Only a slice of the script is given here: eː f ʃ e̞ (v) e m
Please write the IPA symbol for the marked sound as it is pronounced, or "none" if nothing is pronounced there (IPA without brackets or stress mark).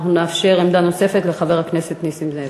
ʁ